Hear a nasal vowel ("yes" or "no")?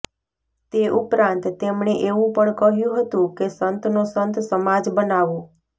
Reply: yes